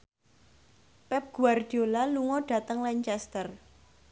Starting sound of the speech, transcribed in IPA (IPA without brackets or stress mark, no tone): p